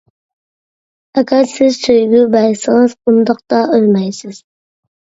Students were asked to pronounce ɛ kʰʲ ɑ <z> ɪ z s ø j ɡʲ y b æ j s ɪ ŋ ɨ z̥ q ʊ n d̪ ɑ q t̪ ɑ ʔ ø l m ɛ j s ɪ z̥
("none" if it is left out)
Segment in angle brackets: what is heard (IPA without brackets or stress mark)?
s